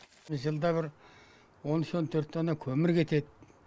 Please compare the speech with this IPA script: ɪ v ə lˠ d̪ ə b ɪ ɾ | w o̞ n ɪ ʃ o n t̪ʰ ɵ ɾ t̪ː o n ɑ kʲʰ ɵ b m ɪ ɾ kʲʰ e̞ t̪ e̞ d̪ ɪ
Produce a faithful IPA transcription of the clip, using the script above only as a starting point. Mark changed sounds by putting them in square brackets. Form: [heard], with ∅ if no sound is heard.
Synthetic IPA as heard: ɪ [ʒ] ə lˠ d̪ [ɑ] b ɪ ɾ | w o̞ n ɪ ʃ o n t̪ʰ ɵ ɾ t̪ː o n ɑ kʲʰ ɵ [∅] m ɪ ɾ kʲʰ e̞ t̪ e̞ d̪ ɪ